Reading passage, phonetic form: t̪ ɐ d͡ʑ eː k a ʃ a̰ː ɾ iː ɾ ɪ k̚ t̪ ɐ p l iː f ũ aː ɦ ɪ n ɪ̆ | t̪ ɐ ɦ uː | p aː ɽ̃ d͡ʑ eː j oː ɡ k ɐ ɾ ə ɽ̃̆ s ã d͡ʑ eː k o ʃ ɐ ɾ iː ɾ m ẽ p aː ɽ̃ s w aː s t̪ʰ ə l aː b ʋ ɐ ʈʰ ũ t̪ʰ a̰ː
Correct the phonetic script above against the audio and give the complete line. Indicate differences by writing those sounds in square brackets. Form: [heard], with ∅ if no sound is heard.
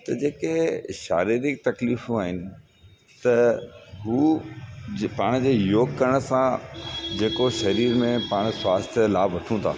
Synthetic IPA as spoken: t̪ ɐ d͡ʑ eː k [e] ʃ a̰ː ɾ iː ɾ ɪ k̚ t̪ ɐ [k] l iː f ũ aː ɦ ɪ n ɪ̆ | t̪ ɐ ɦ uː | p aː ɽ̃ d͡ʑ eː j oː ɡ k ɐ ɾ ə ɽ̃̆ s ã d͡ʑ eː k o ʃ ɐ ɾ iː ɾ m ẽ p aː ɽ̃ s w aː s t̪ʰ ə l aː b ʋ ɐ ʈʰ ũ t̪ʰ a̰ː